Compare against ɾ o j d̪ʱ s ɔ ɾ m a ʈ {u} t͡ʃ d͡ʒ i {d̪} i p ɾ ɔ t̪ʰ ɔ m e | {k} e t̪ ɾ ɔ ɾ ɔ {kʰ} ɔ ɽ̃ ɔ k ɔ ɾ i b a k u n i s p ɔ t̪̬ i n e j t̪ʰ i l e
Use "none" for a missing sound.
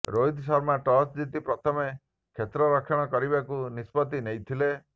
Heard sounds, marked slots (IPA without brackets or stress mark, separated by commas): ɔ, t̪, kʰ, kʰ